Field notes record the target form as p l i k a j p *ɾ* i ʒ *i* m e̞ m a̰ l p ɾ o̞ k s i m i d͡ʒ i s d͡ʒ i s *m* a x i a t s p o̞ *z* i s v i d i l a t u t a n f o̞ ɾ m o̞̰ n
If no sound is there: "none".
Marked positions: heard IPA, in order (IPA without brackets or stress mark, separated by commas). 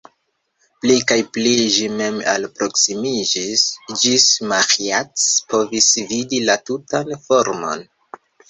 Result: l, i, m, v